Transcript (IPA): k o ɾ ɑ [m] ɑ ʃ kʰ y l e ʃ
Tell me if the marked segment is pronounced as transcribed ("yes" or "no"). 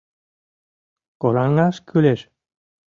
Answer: no